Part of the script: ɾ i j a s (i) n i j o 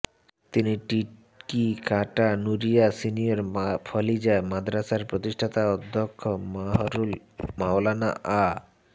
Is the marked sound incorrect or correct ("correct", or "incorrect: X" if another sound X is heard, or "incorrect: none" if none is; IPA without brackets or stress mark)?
correct